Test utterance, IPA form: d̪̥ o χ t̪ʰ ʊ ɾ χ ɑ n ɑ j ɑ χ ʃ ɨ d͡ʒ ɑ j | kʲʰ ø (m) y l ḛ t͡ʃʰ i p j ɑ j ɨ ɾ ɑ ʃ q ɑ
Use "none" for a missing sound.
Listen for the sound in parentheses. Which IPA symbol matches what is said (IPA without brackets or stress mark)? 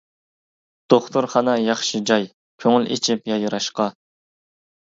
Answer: ŋ